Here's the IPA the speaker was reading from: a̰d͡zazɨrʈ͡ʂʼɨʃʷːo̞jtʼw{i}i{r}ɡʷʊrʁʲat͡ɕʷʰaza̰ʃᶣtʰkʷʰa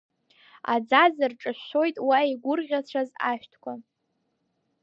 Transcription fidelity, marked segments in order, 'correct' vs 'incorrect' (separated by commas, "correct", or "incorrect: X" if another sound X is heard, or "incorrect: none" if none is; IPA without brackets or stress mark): incorrect: a, incorrect: none